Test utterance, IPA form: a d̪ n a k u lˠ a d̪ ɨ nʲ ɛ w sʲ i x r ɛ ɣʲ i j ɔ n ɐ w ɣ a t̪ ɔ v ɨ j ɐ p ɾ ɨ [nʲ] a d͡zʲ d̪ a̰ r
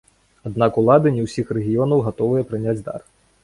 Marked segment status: correct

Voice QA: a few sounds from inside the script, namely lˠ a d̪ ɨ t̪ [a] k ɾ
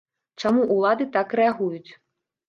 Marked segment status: correct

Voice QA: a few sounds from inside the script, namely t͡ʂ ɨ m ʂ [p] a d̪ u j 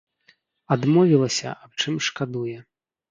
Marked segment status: incorrect: k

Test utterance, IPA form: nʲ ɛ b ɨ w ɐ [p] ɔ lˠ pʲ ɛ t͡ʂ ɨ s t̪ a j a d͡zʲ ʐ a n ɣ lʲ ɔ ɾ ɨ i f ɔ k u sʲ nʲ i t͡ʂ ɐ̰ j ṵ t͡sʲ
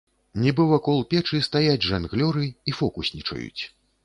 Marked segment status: incorrect: k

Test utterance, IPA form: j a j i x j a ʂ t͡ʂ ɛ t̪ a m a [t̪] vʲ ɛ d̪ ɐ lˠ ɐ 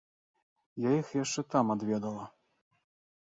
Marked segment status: incorrect: d̪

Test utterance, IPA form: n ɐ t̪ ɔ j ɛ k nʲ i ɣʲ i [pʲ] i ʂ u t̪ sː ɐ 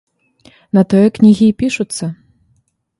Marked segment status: correct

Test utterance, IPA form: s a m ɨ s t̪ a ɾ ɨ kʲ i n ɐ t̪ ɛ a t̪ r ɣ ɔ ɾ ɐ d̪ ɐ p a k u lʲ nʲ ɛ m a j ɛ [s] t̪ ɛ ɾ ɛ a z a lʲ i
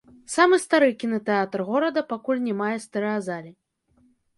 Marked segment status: correct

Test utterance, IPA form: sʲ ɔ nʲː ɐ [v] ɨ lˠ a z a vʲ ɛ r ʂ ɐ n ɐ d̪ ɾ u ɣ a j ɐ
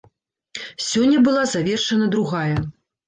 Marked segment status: incorrect: b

